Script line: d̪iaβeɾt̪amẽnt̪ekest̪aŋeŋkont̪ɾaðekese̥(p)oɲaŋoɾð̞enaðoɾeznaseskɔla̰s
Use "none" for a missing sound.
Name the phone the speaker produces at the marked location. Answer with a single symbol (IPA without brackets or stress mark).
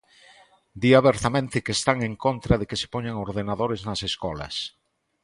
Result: p